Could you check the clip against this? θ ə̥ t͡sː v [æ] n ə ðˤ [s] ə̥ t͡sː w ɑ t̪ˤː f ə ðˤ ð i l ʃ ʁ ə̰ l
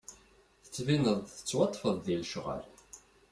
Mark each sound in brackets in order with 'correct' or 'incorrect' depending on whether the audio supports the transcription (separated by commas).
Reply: incorrect, incorrect